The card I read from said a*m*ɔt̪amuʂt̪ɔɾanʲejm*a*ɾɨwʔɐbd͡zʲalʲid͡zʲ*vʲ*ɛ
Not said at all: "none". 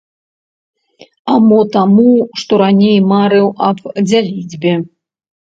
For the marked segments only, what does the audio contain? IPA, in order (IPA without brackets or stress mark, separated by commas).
m, a, bʲ